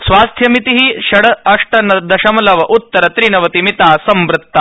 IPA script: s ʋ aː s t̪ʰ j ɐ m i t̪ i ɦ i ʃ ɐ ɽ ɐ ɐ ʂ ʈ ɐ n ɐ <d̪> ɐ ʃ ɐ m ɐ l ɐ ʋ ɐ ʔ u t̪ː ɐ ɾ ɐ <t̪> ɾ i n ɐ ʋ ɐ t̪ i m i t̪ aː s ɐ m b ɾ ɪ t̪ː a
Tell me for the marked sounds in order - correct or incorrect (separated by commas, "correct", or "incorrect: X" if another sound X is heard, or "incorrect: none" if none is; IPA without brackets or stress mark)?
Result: correct, correct